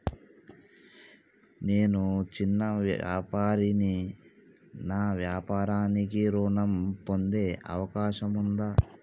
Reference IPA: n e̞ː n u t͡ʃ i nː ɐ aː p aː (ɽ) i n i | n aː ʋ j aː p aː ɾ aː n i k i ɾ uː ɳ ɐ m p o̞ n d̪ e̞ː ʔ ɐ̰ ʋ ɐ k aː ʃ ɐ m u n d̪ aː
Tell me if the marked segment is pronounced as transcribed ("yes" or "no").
no